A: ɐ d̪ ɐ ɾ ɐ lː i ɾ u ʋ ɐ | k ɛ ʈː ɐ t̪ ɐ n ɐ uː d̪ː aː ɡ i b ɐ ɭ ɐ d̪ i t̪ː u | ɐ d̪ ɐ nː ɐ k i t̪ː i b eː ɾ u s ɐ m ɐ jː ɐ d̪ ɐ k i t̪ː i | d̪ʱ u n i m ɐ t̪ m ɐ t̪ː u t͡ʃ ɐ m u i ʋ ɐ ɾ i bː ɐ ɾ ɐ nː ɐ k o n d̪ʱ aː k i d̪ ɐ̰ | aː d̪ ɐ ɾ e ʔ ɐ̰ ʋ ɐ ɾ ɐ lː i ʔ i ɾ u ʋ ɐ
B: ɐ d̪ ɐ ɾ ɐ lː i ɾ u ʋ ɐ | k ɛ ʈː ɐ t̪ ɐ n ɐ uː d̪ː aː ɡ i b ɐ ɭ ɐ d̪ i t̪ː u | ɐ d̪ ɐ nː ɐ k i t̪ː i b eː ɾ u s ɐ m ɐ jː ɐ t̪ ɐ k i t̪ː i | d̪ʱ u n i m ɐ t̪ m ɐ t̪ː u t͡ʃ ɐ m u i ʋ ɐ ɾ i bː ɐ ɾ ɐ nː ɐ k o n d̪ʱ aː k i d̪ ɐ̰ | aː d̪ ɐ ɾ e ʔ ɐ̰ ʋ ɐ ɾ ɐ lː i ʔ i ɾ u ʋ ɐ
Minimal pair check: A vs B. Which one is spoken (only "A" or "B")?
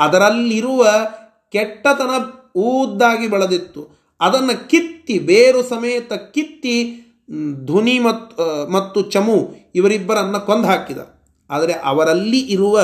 B